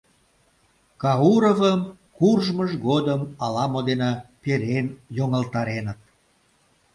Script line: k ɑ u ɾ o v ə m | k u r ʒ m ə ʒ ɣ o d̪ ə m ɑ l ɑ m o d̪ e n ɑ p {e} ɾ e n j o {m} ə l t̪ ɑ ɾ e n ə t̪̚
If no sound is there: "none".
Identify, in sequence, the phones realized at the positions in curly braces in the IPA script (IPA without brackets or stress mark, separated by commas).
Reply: e, ŋ